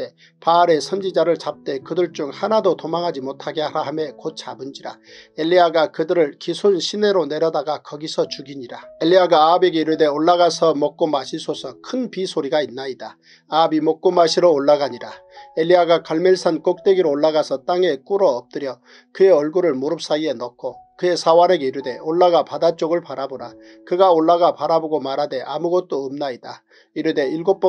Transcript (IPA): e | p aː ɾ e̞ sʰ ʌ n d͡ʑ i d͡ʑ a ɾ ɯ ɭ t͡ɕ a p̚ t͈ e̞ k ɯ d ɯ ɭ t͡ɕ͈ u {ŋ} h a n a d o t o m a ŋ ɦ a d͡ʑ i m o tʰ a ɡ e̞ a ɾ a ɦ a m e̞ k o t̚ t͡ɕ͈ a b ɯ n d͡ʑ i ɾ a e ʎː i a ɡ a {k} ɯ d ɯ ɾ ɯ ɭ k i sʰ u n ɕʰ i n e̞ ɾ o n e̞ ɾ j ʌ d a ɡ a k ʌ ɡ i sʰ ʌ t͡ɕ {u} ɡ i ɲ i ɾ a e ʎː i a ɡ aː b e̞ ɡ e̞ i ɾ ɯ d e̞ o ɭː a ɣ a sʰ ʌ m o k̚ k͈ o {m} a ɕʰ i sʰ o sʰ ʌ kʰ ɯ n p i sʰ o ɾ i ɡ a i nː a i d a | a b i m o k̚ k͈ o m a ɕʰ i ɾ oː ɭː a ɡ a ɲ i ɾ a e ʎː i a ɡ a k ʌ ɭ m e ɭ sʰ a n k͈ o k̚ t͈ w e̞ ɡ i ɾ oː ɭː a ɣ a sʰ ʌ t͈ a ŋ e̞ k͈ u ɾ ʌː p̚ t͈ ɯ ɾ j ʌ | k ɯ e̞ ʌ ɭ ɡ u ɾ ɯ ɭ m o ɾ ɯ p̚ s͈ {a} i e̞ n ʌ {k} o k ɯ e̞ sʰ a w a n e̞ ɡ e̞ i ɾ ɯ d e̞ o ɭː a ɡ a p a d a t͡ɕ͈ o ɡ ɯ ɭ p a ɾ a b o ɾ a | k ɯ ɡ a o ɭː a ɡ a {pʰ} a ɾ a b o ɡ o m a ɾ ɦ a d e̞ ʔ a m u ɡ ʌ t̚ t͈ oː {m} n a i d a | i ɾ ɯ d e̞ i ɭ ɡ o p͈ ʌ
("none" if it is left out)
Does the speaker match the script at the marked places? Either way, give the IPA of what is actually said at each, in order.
ŋ, k, u, m, a, kʰ, p, m

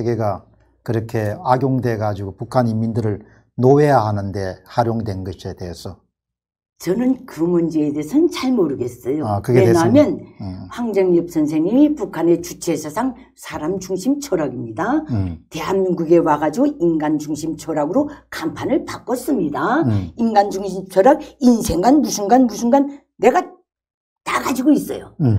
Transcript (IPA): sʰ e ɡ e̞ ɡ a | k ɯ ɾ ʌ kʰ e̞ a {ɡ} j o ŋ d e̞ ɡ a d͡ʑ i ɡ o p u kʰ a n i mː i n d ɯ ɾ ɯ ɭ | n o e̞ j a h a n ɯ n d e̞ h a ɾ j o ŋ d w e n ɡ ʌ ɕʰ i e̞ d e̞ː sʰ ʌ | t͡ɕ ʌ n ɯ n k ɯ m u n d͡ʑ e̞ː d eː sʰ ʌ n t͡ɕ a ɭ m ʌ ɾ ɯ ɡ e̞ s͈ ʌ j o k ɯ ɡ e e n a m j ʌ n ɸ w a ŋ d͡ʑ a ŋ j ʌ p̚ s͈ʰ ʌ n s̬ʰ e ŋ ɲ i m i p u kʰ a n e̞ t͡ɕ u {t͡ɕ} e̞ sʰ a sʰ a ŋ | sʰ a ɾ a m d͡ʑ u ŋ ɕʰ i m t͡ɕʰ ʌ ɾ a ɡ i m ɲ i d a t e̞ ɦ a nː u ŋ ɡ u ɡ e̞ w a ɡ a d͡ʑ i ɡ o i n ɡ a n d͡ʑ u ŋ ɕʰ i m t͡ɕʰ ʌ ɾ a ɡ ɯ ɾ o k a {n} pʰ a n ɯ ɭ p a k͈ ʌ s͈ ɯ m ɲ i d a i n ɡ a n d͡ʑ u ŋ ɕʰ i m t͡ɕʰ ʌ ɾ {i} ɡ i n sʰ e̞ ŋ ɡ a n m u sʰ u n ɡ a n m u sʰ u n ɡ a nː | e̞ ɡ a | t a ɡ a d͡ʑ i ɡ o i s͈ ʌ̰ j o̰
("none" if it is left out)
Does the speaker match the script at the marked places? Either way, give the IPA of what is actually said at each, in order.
ɡ, t͡ɕʰ, m, a

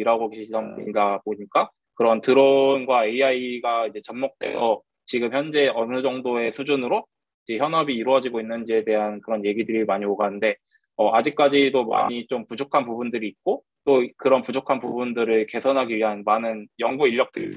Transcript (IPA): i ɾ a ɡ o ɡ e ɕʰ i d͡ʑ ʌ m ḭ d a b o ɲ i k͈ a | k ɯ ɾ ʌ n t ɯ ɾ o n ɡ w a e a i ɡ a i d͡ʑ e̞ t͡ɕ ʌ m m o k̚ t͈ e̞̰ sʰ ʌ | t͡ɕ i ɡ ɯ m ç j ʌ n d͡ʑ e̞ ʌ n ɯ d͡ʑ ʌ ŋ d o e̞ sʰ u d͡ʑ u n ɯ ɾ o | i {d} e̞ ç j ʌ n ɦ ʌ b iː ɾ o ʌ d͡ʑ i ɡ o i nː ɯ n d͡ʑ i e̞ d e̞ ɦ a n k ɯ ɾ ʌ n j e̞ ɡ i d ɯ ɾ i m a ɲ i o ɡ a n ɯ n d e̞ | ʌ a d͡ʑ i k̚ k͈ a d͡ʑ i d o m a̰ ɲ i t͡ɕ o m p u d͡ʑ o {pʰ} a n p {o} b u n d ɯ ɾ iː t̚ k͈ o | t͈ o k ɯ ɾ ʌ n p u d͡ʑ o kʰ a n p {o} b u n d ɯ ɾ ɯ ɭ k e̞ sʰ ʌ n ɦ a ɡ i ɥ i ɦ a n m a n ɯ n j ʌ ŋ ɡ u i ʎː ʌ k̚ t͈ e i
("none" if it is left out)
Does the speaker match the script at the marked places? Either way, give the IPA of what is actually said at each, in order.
d͡ʑ, kʰ, u, u

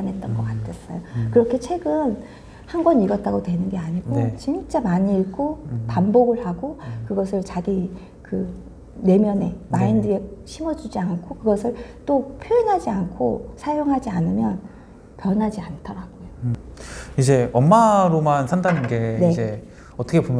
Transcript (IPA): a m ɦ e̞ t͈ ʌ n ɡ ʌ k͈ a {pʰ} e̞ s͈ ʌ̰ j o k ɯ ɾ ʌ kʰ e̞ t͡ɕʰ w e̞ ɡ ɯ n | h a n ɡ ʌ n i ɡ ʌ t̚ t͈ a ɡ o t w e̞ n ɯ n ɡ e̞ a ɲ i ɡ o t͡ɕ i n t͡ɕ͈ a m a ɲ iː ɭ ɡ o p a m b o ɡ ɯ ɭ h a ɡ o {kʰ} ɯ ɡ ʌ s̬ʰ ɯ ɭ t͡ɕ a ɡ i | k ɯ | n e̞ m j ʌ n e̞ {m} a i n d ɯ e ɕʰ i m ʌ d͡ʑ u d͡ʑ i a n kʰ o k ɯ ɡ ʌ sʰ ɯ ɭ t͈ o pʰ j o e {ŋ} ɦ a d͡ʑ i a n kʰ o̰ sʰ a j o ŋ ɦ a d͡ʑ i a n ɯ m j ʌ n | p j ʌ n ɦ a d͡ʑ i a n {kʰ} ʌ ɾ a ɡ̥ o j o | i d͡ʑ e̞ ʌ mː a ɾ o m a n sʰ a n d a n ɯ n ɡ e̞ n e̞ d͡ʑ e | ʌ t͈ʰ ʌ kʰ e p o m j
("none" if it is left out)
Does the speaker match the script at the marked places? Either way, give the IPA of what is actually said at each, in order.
tʰ, k, m, n, tʰ

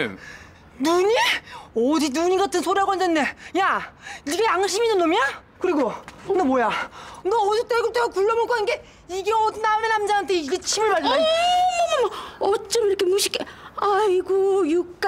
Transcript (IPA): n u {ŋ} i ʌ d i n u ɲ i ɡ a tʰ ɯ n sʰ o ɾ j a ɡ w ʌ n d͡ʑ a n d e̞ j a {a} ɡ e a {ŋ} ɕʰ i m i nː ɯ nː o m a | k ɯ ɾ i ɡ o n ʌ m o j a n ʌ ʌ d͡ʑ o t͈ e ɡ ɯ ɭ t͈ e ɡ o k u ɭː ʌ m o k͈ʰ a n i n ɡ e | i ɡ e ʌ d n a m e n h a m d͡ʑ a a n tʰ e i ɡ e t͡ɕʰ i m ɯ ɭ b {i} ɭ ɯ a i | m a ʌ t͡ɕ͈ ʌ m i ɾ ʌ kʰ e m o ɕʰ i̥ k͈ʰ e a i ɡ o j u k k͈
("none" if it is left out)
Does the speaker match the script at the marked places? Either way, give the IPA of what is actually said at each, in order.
ɲ, i, ŋ, a

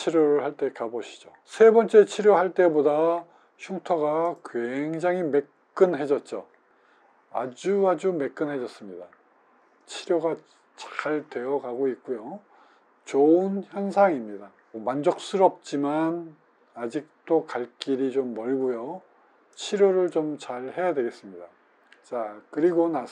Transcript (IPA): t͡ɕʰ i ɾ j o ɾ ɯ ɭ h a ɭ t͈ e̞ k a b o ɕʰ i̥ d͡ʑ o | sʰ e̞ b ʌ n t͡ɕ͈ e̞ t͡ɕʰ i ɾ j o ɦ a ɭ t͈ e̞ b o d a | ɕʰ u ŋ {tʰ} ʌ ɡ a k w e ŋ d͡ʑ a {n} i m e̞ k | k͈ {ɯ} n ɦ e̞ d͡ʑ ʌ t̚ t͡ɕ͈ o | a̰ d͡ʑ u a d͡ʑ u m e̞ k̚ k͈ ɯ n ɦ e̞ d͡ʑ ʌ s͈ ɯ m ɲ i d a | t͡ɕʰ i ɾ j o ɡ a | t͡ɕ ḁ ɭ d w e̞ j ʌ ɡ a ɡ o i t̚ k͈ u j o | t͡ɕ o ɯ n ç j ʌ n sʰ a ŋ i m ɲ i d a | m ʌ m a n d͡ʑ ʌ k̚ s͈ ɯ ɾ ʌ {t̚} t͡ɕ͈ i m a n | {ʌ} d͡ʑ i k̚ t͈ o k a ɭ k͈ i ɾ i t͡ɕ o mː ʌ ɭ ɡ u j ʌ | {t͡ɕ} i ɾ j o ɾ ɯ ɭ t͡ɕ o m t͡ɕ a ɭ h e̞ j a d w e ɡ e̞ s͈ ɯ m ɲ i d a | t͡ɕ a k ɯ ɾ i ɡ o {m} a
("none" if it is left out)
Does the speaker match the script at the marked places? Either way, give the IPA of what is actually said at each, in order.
tʰ, ŋ, ɯ, p̚, a, t͡ɕʰ, n

